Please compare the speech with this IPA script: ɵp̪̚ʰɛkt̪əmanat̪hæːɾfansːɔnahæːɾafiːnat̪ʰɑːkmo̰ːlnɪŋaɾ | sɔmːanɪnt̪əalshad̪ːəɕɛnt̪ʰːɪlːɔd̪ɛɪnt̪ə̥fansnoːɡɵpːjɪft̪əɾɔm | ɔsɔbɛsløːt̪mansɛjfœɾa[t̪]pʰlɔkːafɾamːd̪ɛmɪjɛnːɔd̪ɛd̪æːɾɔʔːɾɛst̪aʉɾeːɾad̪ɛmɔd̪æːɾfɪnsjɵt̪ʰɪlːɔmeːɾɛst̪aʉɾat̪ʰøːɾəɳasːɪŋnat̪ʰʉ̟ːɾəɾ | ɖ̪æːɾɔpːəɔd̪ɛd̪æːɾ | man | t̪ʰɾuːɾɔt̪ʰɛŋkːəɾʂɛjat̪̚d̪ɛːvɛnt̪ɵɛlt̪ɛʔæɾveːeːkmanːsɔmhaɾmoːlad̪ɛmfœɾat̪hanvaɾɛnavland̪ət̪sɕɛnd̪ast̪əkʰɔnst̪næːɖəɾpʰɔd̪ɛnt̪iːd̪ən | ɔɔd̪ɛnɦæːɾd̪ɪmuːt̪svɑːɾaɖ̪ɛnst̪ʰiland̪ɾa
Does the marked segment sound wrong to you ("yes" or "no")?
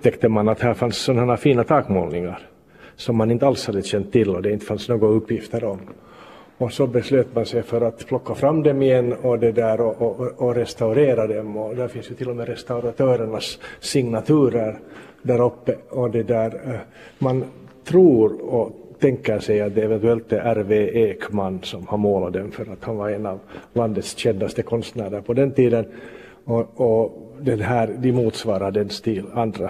no